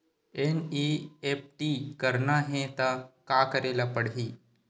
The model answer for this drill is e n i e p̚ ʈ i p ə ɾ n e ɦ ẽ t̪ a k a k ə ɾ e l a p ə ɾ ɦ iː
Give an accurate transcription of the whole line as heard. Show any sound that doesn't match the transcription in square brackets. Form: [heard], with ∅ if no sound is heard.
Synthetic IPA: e n i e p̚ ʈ i [k] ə ɾ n [a] ɦ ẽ t̪ a k a k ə ɾ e l a p ə [ɽ] ɦ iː